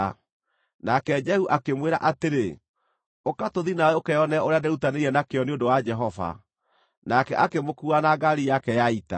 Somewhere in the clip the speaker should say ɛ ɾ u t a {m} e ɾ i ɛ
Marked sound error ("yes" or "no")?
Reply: yes